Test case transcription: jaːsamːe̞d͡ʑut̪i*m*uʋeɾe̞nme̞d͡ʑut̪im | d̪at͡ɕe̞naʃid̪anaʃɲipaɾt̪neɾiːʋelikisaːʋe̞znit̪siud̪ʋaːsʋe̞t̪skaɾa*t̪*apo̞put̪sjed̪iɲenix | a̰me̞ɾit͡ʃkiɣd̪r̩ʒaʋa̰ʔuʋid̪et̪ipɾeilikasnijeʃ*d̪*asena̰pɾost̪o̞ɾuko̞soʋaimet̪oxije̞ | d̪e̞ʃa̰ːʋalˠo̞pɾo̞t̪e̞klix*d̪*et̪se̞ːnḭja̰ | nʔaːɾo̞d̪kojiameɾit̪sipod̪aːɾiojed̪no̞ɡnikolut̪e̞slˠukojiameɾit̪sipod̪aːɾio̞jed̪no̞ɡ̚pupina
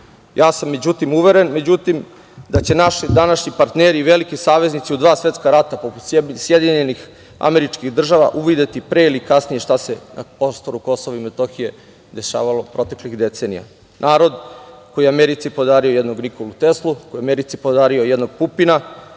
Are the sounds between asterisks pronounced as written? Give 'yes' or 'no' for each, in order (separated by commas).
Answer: yes, yes, no, yes